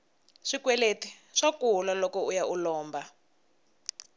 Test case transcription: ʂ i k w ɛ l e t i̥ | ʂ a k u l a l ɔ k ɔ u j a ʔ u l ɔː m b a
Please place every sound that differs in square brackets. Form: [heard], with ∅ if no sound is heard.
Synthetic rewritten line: ʂ i k w ɛ l e t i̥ | ʂ a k u l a l ɔ k ɔ u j a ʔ u l ɔː m b a